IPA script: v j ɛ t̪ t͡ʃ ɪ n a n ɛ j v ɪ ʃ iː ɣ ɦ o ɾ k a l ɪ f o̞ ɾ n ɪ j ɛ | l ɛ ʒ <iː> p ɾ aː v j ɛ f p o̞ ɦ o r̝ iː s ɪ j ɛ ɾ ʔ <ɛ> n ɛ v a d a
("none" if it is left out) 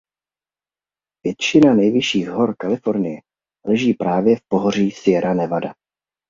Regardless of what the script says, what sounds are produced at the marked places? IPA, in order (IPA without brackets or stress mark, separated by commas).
iː, a